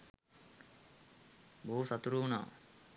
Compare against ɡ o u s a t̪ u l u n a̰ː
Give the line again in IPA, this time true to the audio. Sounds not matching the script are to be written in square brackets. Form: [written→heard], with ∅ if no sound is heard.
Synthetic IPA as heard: [ɡ→b] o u s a t̪ u [l→ɾ] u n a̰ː